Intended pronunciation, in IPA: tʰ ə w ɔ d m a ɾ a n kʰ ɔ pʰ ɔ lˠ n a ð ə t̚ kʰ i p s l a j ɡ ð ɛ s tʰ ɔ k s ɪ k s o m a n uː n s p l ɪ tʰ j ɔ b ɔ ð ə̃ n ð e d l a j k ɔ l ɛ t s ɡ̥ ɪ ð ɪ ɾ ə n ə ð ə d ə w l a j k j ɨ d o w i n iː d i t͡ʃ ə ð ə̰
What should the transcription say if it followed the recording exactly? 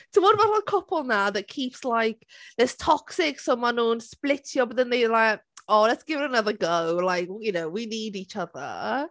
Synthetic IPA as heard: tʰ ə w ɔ d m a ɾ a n kʰ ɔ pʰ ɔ lˠ n a ð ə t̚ kʰ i p s l a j k ð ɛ s tʰ ɔ k s ɪ k s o m a n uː n s p l ɪ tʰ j ɔ b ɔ ð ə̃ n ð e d l a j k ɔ l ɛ t s ɡ̥ ɪ v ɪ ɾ ə n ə ð ə ɡ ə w l a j k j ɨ n o w i n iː d i t͡ʃ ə ð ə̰